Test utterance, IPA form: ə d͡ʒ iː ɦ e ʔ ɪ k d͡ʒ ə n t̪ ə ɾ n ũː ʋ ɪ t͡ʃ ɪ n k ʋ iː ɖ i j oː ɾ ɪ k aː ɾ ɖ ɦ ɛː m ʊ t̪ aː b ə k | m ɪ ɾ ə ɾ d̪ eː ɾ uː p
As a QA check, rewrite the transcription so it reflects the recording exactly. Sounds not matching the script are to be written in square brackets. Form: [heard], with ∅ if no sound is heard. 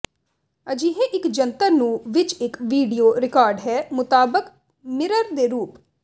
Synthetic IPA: ə d͡ʒ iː ɦ e ʔ ɪ k d͡ʒ ə n t̪ ə ɾ n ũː ʋ ɪ t͡ʃ ɪ [∅] k ʋ iː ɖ i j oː ɾ ɪ k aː ɾ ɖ ɦ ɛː m ʊ t̪ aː b ə k | m ɪ ɾ ə ɾ d̪ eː ɾ uː p